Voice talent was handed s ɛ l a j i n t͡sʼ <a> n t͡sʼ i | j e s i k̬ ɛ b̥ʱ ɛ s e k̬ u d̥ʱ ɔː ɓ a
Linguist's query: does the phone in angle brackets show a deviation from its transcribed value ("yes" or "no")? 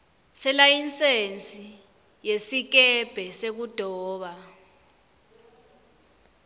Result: yes